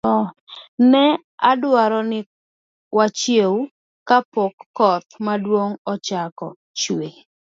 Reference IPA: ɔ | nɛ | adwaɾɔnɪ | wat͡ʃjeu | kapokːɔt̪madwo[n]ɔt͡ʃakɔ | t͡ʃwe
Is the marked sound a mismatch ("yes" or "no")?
yes